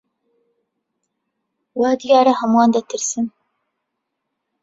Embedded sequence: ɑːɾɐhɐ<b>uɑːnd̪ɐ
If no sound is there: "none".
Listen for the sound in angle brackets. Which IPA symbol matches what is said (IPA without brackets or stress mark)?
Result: m